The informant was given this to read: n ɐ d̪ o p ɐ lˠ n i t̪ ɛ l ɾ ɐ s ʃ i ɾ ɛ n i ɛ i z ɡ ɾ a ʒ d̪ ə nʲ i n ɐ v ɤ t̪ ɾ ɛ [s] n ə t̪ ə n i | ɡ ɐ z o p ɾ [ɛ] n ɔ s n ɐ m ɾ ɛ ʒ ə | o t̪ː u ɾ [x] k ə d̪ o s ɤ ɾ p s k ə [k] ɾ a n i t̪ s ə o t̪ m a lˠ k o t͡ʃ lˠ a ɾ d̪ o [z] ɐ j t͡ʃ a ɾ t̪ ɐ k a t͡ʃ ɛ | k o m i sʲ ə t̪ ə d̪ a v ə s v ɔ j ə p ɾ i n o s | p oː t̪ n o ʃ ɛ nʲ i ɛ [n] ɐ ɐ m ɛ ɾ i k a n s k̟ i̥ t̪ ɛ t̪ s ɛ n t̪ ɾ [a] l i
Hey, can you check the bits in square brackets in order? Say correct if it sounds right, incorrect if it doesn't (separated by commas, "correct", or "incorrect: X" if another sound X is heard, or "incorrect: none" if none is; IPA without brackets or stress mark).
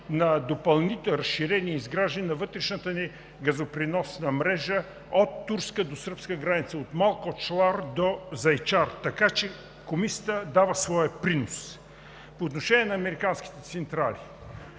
incorrect: ʃ, incorrect: i, incorrect: s, incorrect: ɡ, correct, correct, correct